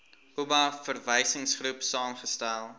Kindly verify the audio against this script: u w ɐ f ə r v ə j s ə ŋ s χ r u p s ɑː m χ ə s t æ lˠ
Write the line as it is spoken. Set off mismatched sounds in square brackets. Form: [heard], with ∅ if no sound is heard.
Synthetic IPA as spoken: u [b] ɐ f ə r v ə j s ə ŋ s χ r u p s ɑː m χ ə s t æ lˠ